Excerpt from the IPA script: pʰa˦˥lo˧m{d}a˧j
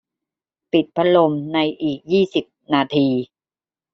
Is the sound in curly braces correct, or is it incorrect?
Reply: incorrect